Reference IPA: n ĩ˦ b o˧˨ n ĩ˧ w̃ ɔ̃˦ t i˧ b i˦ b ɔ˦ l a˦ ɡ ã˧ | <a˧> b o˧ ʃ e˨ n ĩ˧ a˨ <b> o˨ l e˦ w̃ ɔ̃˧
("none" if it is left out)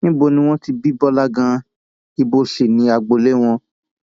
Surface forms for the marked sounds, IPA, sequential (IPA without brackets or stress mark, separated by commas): i˧, ɡ͡b